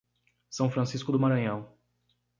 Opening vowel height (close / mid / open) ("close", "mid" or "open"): open